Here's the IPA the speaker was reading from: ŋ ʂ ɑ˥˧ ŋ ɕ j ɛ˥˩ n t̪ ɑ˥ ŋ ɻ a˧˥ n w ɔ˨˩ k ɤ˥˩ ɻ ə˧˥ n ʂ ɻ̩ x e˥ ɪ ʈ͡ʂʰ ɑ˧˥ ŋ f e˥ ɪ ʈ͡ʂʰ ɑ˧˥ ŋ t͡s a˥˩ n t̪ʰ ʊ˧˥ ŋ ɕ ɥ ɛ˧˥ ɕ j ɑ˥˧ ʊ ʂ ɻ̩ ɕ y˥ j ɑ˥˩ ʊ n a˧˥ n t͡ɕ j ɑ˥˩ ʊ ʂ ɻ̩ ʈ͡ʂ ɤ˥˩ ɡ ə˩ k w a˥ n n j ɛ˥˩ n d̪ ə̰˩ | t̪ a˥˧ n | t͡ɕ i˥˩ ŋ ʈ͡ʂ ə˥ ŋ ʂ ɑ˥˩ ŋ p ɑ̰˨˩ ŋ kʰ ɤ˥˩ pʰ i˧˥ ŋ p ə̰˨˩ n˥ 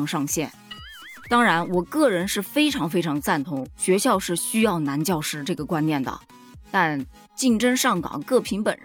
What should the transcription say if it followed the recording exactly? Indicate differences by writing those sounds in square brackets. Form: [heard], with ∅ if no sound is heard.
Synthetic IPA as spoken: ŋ ʂ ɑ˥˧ ŋ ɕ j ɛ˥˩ n t̪ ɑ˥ ŋ ɻ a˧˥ n w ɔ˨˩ k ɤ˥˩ ɻ ə˧˥ n ʂ ɻ̩ [f] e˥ ɪ ʈ͡ʂʰ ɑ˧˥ ŋ f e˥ ɪ ʈ͡ʂʰ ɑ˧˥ ŋ t͡s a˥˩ n t̪ʰ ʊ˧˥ ŋ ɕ ɥ ɛ˧˥ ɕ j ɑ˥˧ ʊ ʂ ɻ̩ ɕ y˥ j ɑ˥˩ ʊ n a˧˥ n t͡ɕ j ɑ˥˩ ʊ ʂ ɻ̩ ʈ͡ʂ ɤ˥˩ ɡ ə˩ k w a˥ n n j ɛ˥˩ n d̪ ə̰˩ | t̪ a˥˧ n | t͡ɕ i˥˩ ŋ ʈ͡ʂ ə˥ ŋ ʂ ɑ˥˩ ŋ [k] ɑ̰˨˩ ŋ [k] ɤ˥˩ pʰ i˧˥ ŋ p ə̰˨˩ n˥